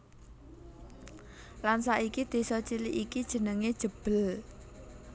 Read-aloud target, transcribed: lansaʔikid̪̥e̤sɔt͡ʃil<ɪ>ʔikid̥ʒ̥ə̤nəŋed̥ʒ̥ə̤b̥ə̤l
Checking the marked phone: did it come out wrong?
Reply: yes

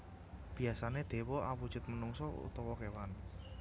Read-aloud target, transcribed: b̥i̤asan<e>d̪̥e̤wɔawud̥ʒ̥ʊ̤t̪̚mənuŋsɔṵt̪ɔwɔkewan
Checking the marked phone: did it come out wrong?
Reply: no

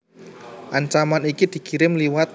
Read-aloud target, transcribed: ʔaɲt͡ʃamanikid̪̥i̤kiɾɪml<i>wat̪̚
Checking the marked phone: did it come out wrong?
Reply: no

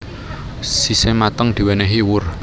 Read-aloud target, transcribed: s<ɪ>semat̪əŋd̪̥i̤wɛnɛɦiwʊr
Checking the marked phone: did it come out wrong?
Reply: yes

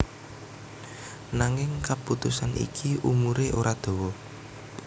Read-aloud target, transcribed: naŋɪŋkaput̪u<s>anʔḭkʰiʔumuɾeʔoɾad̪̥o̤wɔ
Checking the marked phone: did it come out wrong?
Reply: no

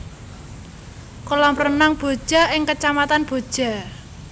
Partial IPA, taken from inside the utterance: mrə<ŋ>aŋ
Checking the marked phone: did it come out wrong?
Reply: yes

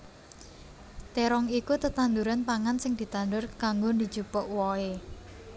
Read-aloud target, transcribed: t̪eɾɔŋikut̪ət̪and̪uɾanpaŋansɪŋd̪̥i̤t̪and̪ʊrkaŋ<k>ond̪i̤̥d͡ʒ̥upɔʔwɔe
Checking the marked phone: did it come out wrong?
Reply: yes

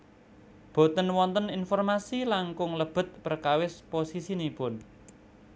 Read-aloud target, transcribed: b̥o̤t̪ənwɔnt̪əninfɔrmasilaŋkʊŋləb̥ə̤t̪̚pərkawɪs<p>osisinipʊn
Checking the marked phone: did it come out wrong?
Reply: no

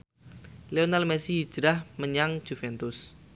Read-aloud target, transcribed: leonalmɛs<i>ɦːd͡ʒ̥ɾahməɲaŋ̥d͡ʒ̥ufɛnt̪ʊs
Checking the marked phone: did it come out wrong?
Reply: no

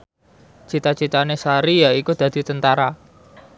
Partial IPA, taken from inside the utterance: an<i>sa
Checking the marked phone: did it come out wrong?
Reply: yes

